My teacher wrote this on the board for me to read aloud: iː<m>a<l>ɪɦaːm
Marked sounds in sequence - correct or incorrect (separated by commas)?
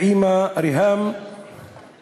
correct, incorrect